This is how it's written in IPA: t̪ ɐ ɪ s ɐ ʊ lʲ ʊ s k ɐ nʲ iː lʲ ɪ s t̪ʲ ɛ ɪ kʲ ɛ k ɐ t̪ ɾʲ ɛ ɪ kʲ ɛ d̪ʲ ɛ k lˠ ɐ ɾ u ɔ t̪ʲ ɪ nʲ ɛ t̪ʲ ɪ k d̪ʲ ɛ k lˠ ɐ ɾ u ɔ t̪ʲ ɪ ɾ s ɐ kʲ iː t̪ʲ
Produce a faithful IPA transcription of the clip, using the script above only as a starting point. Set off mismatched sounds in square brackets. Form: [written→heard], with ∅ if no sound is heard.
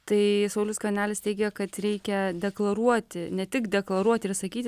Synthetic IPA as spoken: t̪ ɐ ɪ s ɐ ʊ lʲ ʊ s k ɐ nʲ [iː→æː] lʲ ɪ s t̪ʲ ɛ ɪ [kʲ→ɡʲ] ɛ k ɐ t̪ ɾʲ ɛ ɪ kʲ ɛ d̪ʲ ɛ k lˠ ɐ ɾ u ɔ t̪ʲ ɪ nʲ ɛ t̪ʲ ɪ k d̪ʲ ɛ k lˠ ɐ ɾ u ɔ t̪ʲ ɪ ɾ s ɐ kʲ iː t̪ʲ